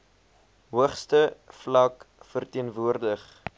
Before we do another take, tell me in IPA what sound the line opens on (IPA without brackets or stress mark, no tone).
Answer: ɦ